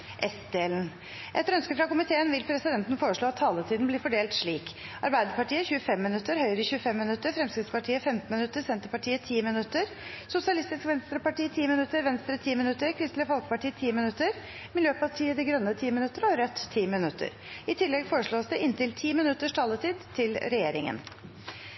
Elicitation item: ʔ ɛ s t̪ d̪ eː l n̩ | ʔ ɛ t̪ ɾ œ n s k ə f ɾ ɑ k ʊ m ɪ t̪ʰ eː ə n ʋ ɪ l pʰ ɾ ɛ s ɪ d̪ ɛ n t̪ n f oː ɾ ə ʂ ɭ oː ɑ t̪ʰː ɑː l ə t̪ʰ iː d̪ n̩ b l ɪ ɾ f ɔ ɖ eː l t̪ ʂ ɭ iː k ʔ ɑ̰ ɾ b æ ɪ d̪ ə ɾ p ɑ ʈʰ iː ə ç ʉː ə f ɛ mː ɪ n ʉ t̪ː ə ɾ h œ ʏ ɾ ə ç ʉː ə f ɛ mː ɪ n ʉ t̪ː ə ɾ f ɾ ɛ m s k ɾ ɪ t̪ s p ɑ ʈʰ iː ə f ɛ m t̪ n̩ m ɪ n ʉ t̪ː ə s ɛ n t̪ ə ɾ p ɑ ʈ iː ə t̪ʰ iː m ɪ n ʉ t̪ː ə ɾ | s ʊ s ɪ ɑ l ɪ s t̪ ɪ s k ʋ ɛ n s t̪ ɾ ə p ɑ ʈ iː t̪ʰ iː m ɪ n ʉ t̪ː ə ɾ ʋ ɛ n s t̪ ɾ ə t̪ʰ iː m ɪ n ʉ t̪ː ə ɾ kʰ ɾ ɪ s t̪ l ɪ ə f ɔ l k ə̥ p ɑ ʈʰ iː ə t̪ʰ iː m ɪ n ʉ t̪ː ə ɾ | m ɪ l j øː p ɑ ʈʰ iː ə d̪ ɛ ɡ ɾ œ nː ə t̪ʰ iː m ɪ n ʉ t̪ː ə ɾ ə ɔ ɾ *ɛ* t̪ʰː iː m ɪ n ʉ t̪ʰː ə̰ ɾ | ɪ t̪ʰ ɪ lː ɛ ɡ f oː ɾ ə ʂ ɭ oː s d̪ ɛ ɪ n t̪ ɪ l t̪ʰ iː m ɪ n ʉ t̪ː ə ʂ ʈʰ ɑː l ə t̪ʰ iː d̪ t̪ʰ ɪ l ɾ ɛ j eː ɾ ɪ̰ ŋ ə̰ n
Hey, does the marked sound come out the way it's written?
no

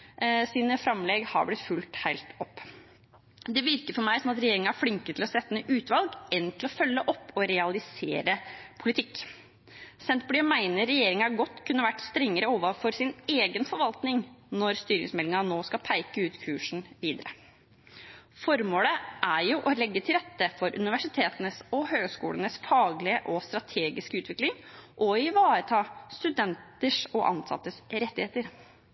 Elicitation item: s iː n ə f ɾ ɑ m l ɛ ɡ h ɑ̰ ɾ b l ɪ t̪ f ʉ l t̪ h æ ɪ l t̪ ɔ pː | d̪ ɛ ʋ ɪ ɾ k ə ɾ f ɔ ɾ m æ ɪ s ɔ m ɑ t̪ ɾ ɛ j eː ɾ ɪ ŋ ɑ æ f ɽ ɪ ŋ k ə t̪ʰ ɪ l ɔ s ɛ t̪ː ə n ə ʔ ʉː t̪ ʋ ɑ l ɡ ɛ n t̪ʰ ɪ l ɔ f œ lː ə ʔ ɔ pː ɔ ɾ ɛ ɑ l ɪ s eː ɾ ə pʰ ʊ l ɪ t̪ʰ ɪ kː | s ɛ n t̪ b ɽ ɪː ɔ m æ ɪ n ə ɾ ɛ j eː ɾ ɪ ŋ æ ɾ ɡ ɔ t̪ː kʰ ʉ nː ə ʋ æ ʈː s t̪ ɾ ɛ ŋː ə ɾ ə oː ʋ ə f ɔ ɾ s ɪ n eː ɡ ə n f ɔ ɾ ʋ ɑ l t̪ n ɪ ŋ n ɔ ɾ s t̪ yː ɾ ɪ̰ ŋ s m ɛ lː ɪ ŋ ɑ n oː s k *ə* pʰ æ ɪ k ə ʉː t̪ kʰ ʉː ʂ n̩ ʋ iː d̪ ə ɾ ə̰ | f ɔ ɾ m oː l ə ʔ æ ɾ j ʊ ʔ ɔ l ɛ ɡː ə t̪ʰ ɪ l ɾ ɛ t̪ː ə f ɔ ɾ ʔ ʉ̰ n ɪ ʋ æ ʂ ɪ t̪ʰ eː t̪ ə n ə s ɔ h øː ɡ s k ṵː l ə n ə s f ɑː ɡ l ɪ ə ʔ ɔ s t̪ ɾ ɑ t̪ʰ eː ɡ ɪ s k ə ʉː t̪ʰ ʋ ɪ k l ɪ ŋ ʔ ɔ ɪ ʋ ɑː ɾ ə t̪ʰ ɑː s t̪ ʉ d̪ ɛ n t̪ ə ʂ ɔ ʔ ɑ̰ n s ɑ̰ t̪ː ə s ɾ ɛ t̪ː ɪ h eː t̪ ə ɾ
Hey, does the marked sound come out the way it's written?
no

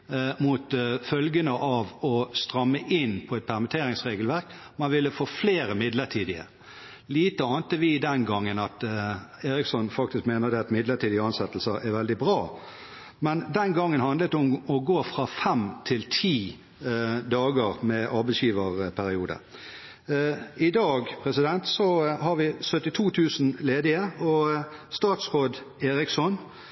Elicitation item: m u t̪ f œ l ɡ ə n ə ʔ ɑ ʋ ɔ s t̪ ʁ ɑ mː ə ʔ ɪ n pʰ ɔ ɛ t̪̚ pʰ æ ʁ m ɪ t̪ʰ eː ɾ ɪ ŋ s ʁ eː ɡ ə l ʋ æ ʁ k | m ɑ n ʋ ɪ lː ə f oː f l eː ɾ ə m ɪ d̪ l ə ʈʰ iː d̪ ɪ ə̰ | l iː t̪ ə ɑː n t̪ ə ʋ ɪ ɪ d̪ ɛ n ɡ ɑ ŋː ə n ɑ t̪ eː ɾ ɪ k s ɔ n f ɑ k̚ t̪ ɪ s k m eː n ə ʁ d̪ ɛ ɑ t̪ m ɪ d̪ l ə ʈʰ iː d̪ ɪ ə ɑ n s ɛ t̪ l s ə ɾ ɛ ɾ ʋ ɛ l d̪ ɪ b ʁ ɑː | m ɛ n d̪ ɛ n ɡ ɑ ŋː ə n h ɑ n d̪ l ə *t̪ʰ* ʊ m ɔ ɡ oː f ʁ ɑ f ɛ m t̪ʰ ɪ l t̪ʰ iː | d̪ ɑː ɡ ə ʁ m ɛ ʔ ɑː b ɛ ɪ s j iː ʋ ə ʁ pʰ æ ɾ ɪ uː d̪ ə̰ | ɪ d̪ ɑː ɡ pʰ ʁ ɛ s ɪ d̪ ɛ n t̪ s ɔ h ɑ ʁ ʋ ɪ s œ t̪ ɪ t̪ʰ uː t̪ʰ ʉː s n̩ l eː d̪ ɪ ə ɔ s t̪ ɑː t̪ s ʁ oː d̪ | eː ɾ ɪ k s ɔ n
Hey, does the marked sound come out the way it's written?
no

